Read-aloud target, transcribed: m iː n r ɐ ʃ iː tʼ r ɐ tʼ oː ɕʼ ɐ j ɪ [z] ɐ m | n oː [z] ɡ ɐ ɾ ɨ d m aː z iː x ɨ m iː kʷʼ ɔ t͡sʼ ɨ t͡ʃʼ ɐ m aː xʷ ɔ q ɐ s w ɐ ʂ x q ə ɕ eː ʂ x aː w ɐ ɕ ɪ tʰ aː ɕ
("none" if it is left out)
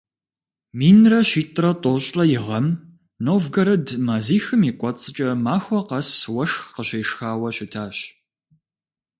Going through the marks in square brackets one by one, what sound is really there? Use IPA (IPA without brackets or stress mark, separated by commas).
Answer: ʁ, v